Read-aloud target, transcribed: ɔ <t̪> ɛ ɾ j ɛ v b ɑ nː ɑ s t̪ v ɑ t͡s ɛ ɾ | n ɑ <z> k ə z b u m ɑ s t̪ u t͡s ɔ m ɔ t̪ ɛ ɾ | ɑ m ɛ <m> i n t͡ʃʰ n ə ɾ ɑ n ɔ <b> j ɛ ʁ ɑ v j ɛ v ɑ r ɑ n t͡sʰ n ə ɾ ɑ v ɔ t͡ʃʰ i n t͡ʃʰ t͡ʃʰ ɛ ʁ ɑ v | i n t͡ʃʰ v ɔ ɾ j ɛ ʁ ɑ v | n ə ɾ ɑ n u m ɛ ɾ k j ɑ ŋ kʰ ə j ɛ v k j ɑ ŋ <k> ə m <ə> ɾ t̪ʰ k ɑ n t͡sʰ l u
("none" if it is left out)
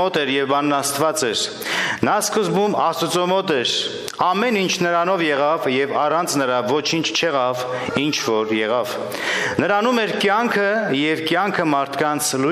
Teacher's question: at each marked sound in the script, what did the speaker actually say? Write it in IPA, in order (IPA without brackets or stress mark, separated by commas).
t̪, s, n, v, kʰ, ɑ